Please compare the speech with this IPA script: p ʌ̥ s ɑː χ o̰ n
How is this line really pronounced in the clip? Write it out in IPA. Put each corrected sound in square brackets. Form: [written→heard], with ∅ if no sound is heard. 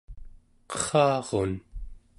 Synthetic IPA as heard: [p→q] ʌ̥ [s→χ] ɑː [χ→ʁ] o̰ n